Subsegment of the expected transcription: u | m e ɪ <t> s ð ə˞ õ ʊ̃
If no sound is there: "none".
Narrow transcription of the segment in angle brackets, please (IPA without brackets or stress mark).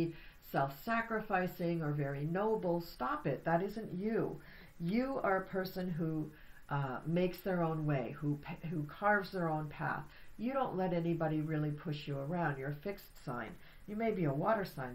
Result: k